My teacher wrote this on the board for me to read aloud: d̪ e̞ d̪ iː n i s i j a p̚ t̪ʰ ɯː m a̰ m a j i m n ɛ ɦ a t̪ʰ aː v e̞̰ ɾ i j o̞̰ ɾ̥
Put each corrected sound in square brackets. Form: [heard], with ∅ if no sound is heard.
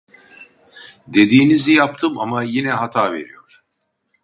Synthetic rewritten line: d̪ e̞ d̪ iː n i [z] i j a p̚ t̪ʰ [ɯ] m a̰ m a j i [∅] n ɛ ɦ a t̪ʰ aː v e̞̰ ɾ i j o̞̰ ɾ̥